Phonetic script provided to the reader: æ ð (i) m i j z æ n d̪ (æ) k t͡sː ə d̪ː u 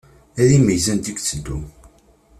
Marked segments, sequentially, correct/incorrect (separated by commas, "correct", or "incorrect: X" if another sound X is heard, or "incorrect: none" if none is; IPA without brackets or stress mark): correct, incorrect: i